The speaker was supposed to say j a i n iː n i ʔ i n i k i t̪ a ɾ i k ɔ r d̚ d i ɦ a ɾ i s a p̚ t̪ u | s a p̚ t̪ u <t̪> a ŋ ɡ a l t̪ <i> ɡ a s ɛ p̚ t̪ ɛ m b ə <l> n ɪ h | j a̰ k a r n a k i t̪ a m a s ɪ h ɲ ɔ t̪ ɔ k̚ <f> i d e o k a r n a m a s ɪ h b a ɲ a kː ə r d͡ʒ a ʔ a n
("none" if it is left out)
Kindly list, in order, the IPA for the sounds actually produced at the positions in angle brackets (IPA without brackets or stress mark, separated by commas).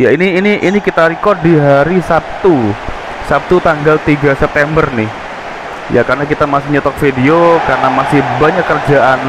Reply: t̪, i, r, f